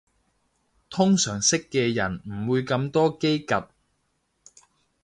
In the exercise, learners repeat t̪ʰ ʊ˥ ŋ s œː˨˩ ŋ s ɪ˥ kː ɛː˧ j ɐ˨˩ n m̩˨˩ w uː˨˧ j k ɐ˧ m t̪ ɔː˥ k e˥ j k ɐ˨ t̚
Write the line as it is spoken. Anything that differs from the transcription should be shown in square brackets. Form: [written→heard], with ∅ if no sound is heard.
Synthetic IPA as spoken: t̪ʰ ʊ˥ ŋ s œː˨˩ ŋ s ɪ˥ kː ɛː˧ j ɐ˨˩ n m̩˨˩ w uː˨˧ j k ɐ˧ m t̪ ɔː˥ k e˥ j k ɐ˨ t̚